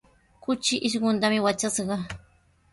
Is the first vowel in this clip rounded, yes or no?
yes